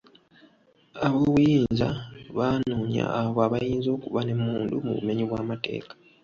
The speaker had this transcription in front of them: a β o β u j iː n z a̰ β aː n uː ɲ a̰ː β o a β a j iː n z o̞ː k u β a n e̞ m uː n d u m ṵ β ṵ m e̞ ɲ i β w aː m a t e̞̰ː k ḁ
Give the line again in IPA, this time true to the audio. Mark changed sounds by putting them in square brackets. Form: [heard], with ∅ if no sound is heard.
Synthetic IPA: a β o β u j iː n z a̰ β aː n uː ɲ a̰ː β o a β a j iː n z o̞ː k u β a n e̞ m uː n d u m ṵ β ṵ m e̞ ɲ i β w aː m a t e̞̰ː k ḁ